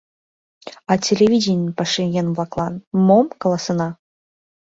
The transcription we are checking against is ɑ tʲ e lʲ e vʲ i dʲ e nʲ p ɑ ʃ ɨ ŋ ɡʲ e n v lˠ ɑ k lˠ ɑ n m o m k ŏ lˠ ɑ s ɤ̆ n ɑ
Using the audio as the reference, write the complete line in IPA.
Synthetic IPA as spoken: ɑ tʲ e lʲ e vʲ i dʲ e nʲ p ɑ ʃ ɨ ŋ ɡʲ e n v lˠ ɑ k lˠ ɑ n m o m k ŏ lˠ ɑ s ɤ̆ n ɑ

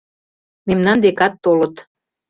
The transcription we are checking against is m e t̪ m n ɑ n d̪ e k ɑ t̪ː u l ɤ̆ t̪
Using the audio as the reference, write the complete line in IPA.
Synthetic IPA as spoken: m e m n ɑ n d̪ e k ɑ t̪ː o l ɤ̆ t̪

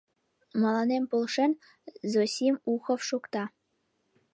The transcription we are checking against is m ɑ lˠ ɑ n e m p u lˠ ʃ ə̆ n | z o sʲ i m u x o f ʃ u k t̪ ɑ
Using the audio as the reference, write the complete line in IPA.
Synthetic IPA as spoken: m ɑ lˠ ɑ n e m p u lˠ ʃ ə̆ n | z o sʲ i m u x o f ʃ u k t̪ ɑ

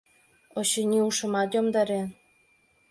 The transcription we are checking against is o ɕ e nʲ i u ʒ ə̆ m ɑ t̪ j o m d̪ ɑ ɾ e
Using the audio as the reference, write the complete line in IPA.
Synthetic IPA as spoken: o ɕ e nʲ i u ʃ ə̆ m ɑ t̪ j o m d̪ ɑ ɾ e

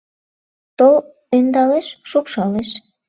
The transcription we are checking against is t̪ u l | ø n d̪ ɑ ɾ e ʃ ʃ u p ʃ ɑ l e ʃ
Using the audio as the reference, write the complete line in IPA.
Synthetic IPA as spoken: t̪ o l | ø n d̪ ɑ l e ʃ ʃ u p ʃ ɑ l e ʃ

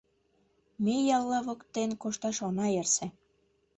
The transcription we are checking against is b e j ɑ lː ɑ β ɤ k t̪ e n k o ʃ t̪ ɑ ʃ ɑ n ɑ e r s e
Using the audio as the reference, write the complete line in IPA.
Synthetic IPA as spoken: m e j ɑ lː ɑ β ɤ k t̪ e n k o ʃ t̪ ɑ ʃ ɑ n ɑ e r s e

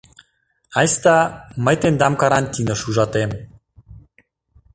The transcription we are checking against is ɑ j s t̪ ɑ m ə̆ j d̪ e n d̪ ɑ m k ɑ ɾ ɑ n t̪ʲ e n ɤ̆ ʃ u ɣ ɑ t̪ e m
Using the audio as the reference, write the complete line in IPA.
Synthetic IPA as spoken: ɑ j s t̪ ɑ m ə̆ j t̪ e n d̪ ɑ m k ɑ ɾ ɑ n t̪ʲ i n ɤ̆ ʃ u ʒ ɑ t̪ e m

